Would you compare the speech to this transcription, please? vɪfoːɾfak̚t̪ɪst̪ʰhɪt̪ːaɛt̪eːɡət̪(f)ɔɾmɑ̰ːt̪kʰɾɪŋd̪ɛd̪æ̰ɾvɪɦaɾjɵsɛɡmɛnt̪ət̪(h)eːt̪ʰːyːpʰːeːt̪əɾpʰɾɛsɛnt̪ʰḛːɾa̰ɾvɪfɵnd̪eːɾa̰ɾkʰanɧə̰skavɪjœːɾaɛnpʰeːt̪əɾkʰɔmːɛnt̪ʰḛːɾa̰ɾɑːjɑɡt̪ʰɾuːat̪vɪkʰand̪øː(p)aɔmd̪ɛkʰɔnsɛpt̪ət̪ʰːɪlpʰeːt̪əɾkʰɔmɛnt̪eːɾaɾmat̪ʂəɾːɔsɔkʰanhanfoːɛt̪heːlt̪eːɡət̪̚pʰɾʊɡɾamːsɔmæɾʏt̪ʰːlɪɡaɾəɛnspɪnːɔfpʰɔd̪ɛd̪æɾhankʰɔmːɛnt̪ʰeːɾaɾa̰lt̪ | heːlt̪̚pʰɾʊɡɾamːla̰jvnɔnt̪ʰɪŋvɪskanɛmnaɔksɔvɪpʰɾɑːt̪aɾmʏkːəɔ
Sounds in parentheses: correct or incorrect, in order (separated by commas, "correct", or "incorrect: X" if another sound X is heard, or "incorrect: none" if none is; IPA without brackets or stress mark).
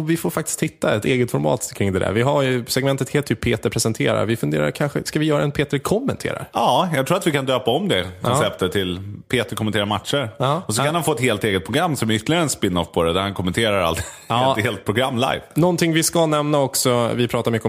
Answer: correct, correct, correct